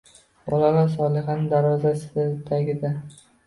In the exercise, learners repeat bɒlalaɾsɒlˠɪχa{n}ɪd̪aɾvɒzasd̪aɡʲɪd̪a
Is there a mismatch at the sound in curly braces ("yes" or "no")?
no